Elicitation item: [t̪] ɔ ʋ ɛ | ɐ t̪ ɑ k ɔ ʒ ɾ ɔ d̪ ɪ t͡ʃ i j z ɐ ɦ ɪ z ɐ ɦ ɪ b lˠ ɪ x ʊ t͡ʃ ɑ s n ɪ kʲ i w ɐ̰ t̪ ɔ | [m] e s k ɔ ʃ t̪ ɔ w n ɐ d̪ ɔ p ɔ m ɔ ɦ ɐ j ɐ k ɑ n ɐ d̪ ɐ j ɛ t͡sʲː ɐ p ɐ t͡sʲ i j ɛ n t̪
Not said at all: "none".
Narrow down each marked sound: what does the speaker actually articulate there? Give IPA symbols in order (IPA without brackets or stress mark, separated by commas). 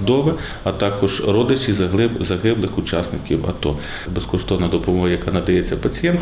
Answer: d̪, b